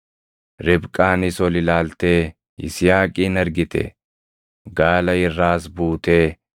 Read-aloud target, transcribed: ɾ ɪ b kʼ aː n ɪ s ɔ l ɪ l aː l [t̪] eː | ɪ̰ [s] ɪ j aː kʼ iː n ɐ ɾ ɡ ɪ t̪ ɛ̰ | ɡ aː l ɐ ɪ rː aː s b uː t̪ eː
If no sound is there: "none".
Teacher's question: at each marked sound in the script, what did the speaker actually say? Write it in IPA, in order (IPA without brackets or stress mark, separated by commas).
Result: t̪, s